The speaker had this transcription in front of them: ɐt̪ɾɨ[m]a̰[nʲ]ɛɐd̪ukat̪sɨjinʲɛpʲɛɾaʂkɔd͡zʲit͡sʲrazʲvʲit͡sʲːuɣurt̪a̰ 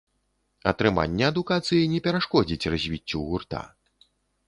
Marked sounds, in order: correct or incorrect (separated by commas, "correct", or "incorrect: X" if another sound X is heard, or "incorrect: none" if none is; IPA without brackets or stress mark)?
correct, incorrect: nʲː